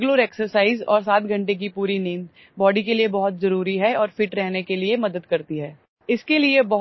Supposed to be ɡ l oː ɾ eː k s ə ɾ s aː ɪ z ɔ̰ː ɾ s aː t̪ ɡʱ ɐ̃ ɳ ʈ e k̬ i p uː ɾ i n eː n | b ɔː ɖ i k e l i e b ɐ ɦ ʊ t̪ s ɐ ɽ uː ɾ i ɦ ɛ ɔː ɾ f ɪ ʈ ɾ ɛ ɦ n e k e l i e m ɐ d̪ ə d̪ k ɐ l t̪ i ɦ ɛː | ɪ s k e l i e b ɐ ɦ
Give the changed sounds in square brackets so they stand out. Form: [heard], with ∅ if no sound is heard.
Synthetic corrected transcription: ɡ l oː ɾ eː k s ə ɾ s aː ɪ z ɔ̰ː ɾ s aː t̪ ɡʱ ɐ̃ ɳ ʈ e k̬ i p uː ɾ i n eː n | b ɔː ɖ i k e l i e b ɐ ɦ ʊ t̪ [z] ɐ [ɾ] uː ɾ i ɦ ɛ ɔː ɾ f ɪ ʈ ɾ ɛ ɦ n e k e l i e m ɐ d̪ ə d̪ k ɐ [ɾ] t̪ i ɦ ɛː | ɪ s k e l i e b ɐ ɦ

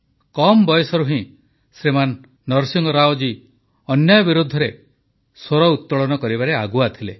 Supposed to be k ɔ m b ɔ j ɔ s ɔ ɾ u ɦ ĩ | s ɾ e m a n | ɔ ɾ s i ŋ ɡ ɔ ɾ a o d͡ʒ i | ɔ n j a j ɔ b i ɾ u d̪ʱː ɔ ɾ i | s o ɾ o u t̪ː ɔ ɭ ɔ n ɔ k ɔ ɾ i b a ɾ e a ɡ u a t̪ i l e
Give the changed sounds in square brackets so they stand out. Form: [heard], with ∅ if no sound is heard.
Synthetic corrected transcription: k ɔ m b ɔ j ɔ s ɔ ɾ u ɦ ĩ | s ɾ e m a [nː] | ɔ ɾ s i ŋ ɡ ɔ ɾ a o d͡ʒ i | ɔ n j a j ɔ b i ɾ u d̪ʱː ɔ ɾ [e] | s o ɾ [ɔ] u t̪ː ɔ ɭ ɔ n ɔ k ɔ ɾ i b a ɾ e a ɡ u a [t̪ʰ] i l e

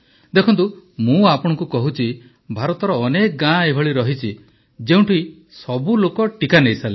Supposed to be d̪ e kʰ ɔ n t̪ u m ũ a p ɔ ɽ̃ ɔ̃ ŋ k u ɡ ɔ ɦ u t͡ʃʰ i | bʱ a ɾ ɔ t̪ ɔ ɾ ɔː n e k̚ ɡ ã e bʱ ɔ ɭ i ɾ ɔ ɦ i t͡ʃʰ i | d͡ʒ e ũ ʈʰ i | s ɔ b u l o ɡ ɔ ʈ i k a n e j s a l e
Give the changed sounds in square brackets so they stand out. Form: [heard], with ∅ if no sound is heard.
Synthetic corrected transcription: d̪ e kʰ ɔ n t̪ u m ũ a p ɔ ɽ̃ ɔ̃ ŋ k u [k] ɔ ɦ u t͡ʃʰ i | bʱ a ɾ ɔ t̪ ɔ ɾ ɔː n e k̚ ɡ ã e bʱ ɔ ɭ i ɾ ɔ ɦ i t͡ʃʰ i | d͡ʒ e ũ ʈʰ i | s ɔ b u l o [k] ɔ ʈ i k a n e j s a l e

